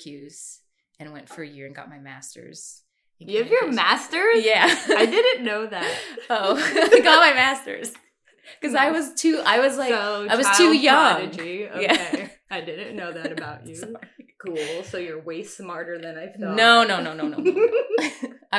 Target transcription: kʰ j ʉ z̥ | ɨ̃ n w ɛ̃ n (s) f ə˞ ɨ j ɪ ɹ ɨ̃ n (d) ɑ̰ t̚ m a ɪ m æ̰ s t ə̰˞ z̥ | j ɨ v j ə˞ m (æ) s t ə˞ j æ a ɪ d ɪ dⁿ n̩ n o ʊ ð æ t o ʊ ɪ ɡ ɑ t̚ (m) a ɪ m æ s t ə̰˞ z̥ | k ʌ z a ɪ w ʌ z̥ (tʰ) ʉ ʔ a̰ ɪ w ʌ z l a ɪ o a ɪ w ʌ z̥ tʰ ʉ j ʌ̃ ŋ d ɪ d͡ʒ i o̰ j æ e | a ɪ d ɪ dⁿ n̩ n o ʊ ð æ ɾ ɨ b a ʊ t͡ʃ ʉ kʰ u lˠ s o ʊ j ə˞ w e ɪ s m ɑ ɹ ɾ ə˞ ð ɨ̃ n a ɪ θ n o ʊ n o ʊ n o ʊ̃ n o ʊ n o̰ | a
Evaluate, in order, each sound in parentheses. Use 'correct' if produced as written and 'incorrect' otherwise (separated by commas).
incorrect, incorrect, correct, correct, correct